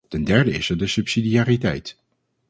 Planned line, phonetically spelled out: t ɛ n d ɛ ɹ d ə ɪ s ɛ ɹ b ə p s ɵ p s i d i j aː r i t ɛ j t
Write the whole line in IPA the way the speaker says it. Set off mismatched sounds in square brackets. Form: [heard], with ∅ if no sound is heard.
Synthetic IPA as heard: t ɛ n d ɛ ɹ d ə ɪ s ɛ ɹ [d] ə [∅] s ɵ p s i d i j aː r i t ɛ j t